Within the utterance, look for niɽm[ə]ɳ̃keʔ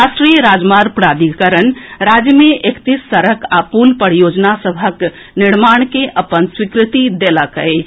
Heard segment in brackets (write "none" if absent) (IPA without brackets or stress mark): a